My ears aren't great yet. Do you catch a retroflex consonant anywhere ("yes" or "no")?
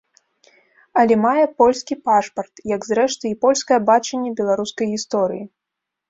yes